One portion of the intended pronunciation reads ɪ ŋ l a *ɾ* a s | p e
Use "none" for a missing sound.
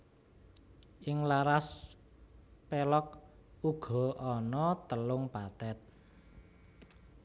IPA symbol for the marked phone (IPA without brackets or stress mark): ɾ